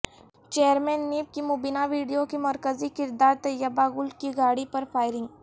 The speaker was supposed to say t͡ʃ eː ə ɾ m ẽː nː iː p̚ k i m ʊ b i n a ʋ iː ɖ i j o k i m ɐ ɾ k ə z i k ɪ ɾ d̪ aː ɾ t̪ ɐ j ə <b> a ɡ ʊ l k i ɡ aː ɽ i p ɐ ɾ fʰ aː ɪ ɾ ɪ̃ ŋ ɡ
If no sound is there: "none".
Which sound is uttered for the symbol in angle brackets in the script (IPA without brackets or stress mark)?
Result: b